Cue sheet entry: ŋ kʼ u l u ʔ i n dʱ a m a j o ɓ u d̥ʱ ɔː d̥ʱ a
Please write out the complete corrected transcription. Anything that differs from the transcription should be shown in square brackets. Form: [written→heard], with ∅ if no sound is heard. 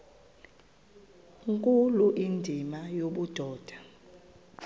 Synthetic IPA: ŋ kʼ u l u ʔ i n dʱ [a→i] m a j o ɓ u d̥ʱ ɔː d̥ʱ a